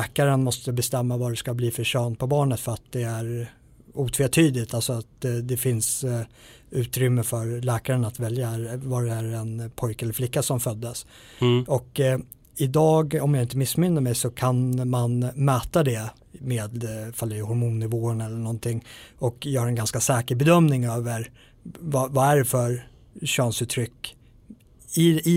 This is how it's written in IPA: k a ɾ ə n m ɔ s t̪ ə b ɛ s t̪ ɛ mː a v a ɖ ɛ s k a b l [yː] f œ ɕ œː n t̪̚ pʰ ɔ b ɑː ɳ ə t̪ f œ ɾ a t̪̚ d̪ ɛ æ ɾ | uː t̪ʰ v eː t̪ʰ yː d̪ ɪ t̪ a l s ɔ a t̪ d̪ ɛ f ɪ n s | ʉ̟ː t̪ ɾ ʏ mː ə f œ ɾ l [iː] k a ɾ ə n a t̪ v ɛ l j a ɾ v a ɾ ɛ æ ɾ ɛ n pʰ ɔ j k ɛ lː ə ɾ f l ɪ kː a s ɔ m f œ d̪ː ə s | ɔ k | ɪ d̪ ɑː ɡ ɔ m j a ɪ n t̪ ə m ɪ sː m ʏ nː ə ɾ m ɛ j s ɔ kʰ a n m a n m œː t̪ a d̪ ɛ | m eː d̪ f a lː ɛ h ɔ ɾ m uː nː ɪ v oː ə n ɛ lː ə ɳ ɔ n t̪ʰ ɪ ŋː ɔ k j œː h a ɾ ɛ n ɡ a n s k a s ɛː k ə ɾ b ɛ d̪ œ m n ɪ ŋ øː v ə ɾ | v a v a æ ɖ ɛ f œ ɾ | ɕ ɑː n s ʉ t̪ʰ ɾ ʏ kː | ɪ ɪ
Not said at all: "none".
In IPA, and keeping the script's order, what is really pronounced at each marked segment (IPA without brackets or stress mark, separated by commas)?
iː, ɛː